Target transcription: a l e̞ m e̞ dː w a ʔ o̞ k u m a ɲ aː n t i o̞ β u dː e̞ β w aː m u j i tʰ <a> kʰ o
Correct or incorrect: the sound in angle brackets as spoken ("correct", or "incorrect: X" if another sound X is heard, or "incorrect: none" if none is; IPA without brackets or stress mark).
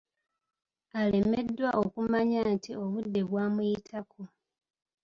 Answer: correct